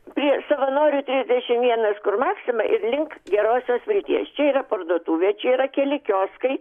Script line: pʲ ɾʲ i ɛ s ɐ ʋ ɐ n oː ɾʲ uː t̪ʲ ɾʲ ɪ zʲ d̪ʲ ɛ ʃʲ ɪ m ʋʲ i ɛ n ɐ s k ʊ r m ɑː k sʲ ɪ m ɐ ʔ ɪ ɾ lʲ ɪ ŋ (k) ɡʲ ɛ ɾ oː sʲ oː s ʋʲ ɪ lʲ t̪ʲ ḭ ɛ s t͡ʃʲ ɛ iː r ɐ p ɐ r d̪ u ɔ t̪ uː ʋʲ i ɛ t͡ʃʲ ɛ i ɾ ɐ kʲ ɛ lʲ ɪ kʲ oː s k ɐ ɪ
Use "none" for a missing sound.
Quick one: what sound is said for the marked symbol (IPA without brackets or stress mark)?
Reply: k